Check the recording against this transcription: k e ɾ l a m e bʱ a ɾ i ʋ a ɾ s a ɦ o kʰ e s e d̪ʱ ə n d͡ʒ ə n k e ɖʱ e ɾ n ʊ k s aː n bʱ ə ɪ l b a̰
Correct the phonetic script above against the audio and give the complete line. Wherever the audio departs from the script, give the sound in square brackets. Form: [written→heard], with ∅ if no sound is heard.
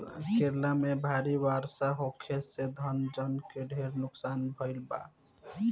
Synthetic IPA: k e ɾ l a m e bʱ a ɾ i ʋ a ɾ s a ɦ o kʰ e s e d̪ʱ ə n d͡ʒ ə n k e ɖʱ e ɾ n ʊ k s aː n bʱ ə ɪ l b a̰